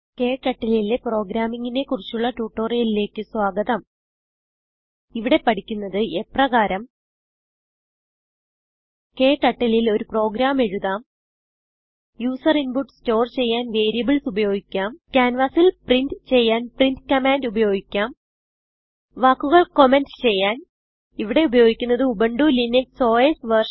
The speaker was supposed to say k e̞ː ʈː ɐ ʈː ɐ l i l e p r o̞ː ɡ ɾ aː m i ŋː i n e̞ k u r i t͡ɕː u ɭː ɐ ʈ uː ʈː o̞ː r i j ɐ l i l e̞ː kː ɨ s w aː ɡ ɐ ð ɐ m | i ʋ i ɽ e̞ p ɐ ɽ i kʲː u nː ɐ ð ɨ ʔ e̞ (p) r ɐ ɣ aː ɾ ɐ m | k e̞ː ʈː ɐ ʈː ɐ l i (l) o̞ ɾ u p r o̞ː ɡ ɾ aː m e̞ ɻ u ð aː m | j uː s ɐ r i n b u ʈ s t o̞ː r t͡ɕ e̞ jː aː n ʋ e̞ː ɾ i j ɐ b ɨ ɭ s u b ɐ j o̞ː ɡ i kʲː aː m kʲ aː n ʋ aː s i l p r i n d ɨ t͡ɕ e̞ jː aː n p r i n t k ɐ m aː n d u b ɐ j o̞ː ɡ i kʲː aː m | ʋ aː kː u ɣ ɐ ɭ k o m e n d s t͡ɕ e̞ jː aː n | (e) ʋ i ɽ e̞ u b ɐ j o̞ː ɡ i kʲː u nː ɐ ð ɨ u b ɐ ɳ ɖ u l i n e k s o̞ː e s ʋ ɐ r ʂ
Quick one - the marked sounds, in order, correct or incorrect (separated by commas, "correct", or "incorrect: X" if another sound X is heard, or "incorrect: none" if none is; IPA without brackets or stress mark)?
correct, correct, incorrect: i